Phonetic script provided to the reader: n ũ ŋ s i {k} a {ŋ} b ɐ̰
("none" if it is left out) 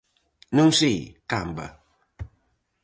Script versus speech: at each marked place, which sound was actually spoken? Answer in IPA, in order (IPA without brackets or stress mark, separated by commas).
k, m